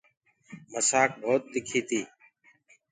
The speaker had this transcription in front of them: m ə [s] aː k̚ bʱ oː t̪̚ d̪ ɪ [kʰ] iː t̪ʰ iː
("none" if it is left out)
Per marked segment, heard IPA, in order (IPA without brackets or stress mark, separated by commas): s, kʰ